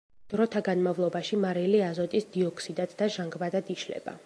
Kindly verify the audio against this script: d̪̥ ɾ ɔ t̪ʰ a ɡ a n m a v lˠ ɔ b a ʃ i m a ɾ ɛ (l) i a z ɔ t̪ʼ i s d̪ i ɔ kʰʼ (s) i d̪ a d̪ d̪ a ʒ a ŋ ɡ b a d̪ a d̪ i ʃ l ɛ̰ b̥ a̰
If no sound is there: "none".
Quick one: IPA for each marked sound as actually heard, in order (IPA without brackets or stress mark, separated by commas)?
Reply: l, s